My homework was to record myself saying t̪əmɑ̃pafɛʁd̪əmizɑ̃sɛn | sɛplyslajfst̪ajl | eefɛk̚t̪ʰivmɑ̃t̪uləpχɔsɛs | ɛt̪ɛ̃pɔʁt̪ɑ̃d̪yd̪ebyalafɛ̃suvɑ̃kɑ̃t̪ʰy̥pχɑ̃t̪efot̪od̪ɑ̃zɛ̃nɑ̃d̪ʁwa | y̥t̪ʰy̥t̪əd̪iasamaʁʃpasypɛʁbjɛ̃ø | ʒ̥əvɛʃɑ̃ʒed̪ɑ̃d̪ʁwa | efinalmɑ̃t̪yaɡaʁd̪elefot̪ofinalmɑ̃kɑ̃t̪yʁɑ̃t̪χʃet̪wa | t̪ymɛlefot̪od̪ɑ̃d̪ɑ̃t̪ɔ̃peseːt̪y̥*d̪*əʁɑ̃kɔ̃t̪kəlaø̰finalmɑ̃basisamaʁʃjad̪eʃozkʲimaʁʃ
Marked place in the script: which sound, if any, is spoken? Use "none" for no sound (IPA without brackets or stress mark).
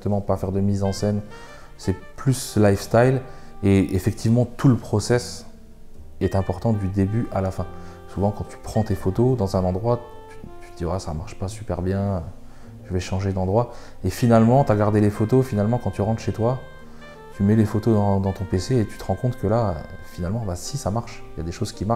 t̪